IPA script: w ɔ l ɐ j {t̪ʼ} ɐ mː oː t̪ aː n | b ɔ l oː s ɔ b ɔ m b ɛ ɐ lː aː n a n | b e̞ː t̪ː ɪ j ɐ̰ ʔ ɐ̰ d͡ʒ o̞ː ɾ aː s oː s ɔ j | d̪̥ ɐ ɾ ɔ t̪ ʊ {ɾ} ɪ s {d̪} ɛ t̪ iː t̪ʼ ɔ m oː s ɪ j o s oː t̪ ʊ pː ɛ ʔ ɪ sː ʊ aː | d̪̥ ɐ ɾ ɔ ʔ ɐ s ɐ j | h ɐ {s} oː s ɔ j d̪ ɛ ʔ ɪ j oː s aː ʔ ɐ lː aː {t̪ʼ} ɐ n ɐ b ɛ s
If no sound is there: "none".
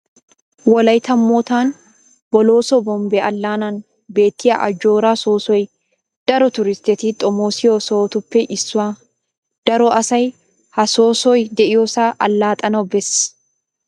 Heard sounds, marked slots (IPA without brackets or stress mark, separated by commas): t̪, ɾ, t̪, s, t̪ʼ